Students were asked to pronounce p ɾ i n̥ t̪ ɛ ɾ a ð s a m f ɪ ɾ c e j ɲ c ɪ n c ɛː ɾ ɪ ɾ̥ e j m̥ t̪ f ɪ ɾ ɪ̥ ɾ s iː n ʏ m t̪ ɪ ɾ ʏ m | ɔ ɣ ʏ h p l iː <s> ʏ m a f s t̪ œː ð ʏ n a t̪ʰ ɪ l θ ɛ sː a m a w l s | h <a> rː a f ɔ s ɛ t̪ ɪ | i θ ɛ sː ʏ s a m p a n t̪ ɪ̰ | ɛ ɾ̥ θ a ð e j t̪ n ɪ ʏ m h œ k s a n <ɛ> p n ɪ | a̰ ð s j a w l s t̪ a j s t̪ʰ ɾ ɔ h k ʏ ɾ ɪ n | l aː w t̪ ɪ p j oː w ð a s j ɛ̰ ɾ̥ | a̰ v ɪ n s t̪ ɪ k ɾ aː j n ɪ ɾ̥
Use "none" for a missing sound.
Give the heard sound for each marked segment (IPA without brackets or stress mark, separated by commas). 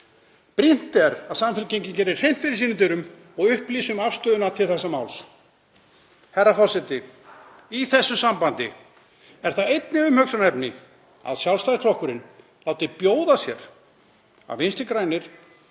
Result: s, ɛ, ɛ